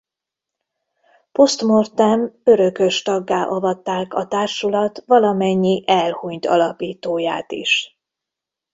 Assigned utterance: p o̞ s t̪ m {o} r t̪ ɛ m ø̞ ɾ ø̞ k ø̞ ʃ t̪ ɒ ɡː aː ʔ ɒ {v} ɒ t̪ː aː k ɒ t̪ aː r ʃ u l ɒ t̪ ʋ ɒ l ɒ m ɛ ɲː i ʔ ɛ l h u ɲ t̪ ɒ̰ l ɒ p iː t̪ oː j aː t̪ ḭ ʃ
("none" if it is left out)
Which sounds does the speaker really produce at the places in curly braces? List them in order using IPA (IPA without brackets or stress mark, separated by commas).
o, v